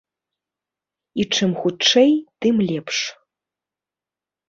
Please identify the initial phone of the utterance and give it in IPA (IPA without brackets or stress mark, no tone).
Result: i